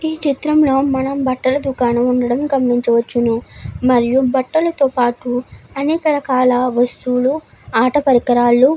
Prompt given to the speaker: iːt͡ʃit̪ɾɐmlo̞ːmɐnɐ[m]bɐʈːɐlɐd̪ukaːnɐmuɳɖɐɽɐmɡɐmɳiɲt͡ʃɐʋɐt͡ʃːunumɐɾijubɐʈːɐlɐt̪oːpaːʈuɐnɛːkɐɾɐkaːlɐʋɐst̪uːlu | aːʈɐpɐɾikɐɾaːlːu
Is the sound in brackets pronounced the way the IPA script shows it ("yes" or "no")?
yes